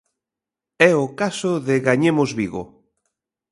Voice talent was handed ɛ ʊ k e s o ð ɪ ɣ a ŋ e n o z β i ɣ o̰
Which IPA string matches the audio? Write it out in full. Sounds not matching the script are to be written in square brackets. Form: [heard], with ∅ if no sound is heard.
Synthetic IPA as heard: ɛ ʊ k [a] s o ð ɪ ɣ a [ɲ] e [m] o z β i ɣ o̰